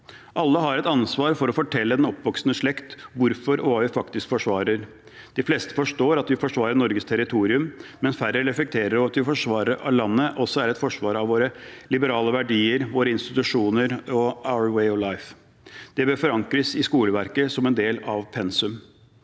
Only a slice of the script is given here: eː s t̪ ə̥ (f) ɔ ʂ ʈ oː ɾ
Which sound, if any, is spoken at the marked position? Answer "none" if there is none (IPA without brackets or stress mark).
f